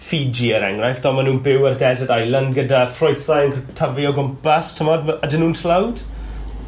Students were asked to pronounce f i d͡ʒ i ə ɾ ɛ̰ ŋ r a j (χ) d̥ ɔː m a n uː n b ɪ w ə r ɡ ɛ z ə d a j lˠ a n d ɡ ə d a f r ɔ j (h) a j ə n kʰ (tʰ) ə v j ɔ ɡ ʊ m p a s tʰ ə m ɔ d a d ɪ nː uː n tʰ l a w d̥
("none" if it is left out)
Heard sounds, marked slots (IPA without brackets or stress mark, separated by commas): f, θ, tʰ